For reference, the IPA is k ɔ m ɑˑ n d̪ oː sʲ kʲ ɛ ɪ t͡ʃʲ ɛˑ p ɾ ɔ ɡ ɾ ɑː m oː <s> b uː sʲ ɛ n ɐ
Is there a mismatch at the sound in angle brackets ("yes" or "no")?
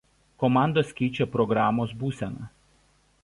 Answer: no